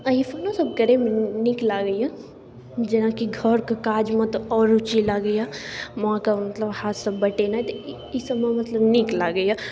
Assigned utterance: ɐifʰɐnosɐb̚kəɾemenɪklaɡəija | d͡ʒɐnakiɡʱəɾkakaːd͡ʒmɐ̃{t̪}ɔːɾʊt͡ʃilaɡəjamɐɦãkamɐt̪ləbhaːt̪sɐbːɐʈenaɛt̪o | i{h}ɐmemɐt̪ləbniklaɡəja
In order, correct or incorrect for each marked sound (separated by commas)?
correct, incorrect